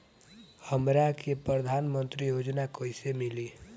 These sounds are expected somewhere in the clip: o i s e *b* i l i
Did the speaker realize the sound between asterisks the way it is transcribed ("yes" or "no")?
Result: no